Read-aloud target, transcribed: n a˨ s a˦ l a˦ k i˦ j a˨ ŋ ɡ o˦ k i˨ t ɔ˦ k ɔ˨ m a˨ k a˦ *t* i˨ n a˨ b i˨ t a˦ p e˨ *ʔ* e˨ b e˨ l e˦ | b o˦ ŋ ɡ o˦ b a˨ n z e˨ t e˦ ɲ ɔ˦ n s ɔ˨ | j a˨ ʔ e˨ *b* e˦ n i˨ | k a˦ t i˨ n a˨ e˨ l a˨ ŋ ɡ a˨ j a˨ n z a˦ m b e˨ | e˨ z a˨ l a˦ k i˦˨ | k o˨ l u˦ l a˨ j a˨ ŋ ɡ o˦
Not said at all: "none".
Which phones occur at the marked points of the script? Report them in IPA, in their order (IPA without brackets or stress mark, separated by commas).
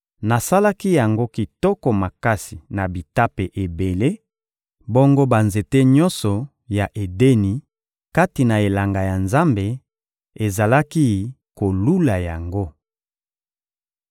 s, ʔ, d